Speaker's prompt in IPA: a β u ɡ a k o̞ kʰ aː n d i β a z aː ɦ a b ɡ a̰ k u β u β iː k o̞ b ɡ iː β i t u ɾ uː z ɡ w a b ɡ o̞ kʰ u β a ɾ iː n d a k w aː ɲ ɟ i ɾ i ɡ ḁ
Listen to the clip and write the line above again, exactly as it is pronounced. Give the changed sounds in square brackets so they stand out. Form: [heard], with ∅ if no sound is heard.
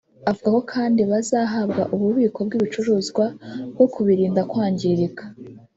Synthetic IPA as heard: a [v] u ɡ a k o̞ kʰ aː n d i β a z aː ɦ a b ɡ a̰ [ʔ] u β u β iː k o̞ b ɡ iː β i [t͡ʃ] u ɾ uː z ɡ w a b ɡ o̞ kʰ u β [i] ɾ iː n d a k w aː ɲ ɟ i ɾ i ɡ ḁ